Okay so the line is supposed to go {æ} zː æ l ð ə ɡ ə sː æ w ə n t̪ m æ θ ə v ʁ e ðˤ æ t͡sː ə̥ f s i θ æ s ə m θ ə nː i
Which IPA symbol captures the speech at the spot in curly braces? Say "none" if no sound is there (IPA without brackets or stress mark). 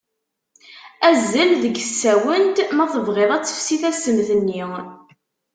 æ